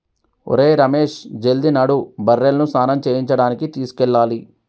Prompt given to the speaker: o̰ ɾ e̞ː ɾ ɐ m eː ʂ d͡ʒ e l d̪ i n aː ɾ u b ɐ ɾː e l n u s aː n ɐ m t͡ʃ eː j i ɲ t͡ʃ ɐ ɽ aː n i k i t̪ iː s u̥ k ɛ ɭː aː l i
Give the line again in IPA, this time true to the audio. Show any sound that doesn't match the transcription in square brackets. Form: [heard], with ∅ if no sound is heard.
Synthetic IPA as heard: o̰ ɾ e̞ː ɾ ɐ m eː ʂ d͡ʒ e l d̪ i n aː [ɽ] u b ɐ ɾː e l n u s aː n ɐ m t͡ʃ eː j i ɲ t͡ʃ ɐ ɽ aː n i k i t̪ iː s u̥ k ɛ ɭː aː l i